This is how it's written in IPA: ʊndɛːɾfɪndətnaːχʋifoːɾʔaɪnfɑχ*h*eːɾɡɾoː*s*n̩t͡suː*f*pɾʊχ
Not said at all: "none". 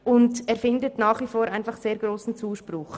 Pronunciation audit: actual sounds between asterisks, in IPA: s, s, ʃ

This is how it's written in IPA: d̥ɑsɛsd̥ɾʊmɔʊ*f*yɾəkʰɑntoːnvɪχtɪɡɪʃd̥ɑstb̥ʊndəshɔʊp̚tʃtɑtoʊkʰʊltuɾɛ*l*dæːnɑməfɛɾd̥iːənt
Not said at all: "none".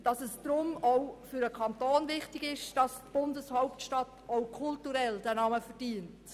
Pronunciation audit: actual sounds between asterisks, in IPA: f, l

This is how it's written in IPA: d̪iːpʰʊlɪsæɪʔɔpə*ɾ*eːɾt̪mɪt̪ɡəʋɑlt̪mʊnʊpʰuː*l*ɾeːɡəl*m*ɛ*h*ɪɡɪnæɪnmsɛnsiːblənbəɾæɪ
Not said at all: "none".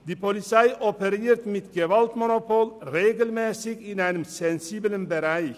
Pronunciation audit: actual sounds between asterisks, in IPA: ɾ, l, m, s

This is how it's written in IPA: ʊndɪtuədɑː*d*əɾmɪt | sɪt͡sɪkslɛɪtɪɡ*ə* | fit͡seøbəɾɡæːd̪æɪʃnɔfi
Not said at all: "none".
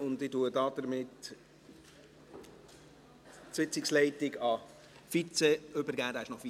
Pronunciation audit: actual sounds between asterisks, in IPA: d, ɑ

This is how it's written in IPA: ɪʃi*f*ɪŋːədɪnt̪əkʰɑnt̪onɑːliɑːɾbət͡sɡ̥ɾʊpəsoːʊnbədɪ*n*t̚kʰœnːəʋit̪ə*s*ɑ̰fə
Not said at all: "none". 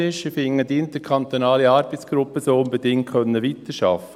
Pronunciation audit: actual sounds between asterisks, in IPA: f, ŋ, ʃ

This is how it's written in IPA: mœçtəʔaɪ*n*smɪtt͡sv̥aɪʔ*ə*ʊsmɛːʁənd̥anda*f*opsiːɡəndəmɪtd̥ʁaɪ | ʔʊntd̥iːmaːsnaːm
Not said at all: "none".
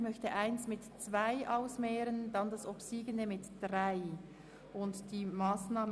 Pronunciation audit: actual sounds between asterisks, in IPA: n, a, s

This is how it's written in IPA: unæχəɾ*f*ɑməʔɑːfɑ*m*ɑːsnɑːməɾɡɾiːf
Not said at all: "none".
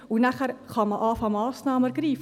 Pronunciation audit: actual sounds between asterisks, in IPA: χ, m

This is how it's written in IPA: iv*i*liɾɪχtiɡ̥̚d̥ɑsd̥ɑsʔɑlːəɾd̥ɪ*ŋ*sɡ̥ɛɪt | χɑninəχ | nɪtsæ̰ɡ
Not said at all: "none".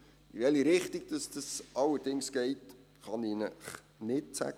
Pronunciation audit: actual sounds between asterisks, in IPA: ɛ, ŋ

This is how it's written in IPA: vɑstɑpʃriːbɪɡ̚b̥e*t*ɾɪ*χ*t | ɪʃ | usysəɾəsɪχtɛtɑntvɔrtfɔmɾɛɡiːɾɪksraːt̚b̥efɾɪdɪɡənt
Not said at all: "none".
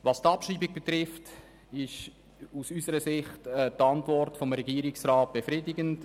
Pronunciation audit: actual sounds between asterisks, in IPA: t, f

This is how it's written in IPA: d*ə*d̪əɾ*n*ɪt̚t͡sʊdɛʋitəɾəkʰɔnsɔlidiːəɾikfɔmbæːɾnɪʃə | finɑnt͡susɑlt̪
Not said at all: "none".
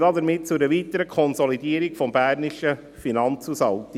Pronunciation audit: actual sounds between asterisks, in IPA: ɑ, m

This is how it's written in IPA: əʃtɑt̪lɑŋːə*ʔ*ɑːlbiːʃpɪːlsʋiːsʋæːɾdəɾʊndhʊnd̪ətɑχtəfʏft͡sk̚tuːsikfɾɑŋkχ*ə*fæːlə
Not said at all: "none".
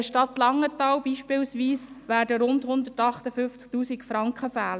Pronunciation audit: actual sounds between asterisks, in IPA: t, ə

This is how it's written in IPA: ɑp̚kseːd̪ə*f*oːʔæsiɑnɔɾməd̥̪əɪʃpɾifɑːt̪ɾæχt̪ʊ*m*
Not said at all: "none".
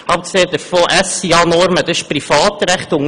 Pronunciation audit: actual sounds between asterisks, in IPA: f, ŋ

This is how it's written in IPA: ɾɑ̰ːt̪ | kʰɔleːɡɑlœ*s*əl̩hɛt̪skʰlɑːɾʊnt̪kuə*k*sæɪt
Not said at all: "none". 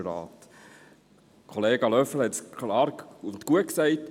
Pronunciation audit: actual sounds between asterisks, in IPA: f, k

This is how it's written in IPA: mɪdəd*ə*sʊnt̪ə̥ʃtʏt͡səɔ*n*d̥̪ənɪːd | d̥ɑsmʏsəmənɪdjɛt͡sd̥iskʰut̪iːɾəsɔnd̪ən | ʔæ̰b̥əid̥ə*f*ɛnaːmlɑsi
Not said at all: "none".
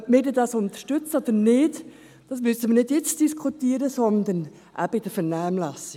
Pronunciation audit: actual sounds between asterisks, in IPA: ɑ, none, f

